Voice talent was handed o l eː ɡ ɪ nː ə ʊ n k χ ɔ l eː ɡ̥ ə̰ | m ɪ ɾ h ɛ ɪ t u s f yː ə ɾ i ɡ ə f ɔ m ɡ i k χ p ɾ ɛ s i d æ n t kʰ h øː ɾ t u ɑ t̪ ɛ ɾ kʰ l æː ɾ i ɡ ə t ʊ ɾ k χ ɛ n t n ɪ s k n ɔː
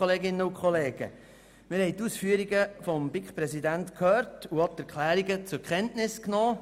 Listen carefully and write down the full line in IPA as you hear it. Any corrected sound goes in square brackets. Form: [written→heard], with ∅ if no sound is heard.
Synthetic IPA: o l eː ɡ ɪ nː ə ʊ [n→∅] k χ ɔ l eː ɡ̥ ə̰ | m ɪ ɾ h ɛ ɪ t u s f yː ə ɾ i ɡ ə f ɔ m [ɡ→b] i k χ p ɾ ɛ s i d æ n t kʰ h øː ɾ t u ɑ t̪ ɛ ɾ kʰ l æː ɾ i ɡ ə [t→t͡s] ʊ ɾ k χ ɛ n t n ɪ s k n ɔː